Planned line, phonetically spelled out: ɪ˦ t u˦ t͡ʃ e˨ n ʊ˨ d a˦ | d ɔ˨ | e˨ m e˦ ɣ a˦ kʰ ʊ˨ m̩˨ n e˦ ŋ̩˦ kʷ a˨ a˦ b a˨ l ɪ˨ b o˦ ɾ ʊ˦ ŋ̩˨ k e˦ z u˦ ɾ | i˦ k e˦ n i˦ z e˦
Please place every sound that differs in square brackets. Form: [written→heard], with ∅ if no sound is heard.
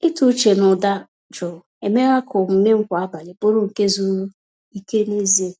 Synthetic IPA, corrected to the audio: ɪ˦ t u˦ t͡ʃ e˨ n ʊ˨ d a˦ | [d→d͡ʒ] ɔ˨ | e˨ m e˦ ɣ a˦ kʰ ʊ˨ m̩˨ n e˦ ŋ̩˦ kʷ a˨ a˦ b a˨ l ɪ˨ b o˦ ɾ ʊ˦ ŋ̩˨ k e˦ z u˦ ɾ | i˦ k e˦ n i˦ z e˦